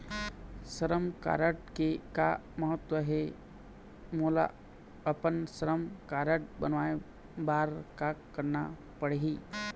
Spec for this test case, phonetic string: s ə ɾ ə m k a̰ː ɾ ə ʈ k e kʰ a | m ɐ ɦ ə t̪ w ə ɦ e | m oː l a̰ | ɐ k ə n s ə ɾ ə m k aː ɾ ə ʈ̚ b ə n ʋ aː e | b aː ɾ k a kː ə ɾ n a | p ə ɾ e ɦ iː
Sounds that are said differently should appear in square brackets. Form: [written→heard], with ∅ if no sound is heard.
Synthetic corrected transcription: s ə ɾ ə m k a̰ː ɾ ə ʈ k e [kʰ→k] a | m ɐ ɦ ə t̪ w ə ɦ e | m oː l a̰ | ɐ [k→p] ə n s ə ɾ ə m k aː ɾ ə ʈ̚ b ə n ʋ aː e | b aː ɾ k a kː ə ɾ n a | p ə [ɾ→ɽ] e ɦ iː

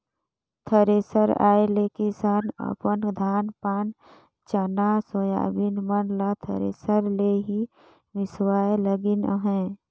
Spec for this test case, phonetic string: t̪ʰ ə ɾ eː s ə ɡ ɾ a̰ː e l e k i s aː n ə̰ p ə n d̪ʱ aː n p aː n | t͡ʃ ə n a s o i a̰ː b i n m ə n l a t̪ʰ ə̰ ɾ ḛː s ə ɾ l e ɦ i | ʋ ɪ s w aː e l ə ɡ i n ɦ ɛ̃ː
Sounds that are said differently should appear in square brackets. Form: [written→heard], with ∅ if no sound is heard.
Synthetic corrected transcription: t̪ʰ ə ɾ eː s ə [ɡ→∅] ɾ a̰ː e l e k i s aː n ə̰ p ə n d̪ʱ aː n p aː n | t͡ʃ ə n a s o [i→j] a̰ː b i n m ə n l a t̪ʰ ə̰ ɾ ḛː s ə ɾ l e ɦ i | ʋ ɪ s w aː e l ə ɡ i n ɦ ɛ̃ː

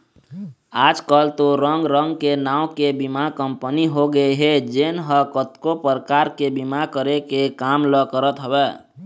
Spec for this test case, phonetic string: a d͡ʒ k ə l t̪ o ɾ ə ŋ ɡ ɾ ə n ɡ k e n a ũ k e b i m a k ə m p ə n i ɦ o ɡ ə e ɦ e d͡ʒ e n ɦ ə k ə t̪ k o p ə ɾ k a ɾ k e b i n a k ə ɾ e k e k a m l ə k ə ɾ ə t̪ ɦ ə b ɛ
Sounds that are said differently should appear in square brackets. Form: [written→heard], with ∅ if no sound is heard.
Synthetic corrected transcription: a d͡ʒ k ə l t̪ o ɾ ə ŋ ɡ ɾ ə [n→ŋ] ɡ k e n a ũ k e b i m a k ə m p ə n i ɦ o ɡ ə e ɦ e d͡ʒ e n ɦ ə k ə t̪ k o p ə ɾ k a ɾ k e b i [n→m] a k ə ɾ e k e k a m l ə k ə ɾ ə t̪ ɦ ə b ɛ

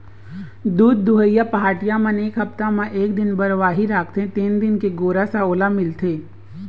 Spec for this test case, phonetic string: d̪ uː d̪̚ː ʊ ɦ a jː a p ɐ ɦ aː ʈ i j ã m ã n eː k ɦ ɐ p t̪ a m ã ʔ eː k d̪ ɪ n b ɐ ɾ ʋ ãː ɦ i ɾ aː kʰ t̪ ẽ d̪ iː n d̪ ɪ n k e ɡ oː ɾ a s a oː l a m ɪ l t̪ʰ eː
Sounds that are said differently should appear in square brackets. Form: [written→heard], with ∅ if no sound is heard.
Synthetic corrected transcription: d̪ uː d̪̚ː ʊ ɦ [a→ə] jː a p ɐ ɦ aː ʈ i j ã m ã n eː k ɦ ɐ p t̪ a m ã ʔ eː k d̪ ɪ n b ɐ ɾ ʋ [ãː→aː] ɦ i ɾ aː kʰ t̪ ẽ [d̪→t̪] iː n d̪ ɪ n k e ɡ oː ɾ a s a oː l a m ɪ l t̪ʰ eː

